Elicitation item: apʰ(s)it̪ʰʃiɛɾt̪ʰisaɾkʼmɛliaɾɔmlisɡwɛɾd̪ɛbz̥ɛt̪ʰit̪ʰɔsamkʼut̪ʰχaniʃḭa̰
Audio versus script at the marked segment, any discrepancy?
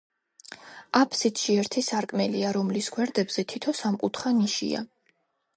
no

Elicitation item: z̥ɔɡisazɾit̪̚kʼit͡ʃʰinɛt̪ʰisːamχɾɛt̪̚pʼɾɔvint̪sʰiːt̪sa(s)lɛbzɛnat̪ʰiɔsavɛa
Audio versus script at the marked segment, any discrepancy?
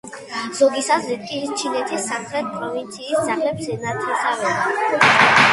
yes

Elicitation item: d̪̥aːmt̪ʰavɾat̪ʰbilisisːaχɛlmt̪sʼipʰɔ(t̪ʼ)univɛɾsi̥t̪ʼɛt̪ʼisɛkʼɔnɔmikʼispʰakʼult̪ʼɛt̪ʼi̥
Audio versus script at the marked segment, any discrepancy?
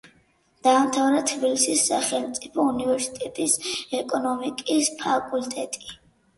yes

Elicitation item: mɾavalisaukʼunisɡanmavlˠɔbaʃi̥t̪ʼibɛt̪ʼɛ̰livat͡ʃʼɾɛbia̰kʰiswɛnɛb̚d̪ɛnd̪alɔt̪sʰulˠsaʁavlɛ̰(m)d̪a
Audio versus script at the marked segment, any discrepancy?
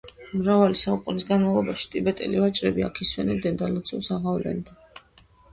yes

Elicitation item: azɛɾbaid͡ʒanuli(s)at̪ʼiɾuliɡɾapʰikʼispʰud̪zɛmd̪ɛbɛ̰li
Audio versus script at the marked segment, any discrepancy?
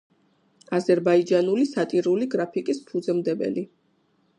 no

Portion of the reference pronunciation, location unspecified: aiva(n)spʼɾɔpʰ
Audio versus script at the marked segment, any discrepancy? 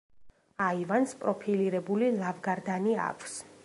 no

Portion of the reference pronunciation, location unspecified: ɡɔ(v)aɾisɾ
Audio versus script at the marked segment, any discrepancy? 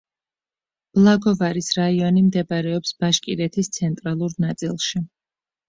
no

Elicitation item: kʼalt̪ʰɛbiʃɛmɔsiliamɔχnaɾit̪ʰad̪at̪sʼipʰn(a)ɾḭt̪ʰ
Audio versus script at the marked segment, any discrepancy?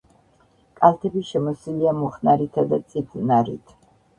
no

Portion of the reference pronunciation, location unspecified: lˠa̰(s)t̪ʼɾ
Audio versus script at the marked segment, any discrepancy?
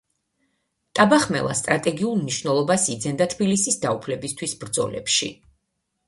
no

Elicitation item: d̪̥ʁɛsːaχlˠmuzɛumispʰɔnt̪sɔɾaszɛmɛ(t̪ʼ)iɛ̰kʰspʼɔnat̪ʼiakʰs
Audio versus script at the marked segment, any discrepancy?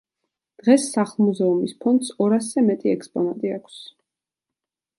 no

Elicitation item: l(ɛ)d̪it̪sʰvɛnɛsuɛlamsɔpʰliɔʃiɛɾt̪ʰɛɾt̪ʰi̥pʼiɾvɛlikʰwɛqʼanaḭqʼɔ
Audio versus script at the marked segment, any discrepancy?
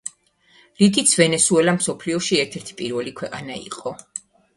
yes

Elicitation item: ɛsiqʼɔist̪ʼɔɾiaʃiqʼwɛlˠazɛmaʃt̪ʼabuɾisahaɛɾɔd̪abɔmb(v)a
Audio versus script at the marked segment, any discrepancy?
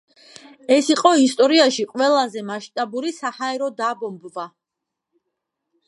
no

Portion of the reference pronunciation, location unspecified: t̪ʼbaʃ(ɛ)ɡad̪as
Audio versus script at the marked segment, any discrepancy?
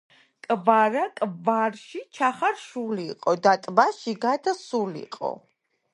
yes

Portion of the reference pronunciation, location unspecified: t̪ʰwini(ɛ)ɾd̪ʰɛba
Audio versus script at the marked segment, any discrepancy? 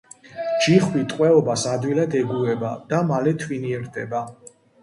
no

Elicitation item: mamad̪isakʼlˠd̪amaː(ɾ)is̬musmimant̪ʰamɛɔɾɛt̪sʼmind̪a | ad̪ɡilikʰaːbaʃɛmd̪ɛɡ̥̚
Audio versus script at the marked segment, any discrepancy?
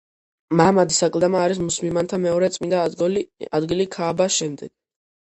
no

